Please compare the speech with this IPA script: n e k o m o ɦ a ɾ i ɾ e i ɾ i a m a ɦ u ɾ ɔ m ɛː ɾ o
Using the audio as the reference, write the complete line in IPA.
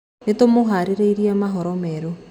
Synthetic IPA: n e t o m o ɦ a ɾ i ɾ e i ɾ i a m a ɦ ɔ ɾ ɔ m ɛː ɾ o